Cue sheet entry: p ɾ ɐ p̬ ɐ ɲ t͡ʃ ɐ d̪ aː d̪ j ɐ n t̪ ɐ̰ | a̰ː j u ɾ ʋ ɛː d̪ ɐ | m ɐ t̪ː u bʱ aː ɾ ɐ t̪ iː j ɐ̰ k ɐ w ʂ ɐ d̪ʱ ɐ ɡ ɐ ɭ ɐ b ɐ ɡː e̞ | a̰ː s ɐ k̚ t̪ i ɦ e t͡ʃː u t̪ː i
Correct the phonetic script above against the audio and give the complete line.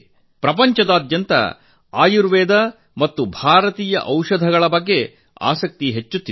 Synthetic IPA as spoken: p ɾ ɐ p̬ ɐ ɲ t͡ʃ ɐ d̪ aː d̪ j ɐ n t̪ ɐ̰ | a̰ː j u ɾ ʋ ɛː d̪ ɐ | m ɐ t̪ː u bʱ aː ɾ ɐ t̪ iː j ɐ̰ ʔ ɐ w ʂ ɐ d̪ʱ ɐ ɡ ɐ ɭ ɐ b ɐ ɡː e̞ | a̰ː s ɐ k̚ t̪ i ɦ e t͡ʃː u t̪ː i